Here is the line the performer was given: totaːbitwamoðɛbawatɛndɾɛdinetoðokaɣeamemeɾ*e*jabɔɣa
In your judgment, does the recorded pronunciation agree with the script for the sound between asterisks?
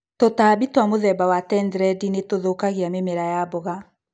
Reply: no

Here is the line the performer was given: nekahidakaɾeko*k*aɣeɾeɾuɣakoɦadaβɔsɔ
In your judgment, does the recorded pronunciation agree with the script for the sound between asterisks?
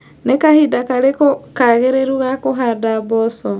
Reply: yes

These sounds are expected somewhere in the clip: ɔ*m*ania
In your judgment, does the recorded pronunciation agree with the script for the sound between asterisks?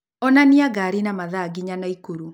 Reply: no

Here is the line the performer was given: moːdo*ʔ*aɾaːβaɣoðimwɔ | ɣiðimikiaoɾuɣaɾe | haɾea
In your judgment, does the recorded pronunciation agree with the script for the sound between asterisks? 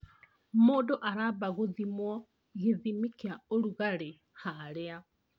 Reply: yes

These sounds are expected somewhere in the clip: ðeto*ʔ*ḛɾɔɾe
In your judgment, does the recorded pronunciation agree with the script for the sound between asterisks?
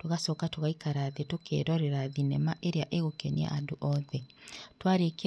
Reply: no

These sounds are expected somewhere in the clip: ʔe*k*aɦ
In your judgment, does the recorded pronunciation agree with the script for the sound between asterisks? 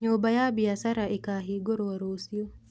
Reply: yes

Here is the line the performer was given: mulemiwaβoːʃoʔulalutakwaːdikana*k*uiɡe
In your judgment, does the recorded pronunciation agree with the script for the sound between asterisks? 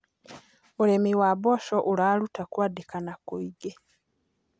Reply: yes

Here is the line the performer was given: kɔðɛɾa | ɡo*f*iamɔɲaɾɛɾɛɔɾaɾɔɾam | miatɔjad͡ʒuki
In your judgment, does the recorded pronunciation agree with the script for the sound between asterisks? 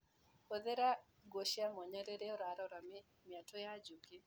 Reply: no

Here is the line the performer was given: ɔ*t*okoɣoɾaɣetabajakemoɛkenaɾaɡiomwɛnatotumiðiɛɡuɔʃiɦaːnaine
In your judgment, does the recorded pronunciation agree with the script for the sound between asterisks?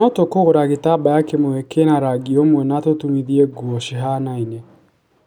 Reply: yes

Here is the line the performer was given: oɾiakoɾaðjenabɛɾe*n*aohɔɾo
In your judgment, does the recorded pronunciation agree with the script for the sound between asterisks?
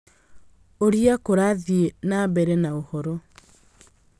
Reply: yes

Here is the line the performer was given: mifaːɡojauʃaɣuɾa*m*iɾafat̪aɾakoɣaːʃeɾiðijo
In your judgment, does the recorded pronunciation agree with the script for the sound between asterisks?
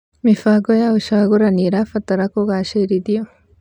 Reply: no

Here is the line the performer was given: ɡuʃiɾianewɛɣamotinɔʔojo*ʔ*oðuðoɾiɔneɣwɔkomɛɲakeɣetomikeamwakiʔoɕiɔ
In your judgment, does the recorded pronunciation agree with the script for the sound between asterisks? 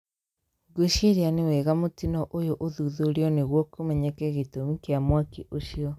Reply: yes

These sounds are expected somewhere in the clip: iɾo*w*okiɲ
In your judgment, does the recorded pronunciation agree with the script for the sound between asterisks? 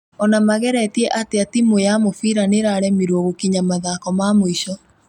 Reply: no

